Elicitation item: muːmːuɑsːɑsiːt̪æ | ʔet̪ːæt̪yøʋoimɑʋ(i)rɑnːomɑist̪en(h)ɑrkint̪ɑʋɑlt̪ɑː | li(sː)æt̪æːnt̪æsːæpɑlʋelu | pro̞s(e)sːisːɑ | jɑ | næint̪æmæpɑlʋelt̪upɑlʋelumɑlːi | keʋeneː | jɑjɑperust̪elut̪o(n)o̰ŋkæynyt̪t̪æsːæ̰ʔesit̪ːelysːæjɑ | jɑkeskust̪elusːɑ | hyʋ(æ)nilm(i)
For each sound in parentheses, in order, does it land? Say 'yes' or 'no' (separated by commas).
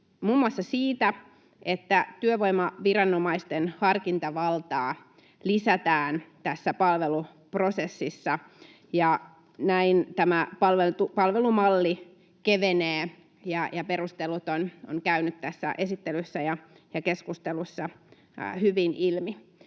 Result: yes, yes, no, yes, yes, no, yes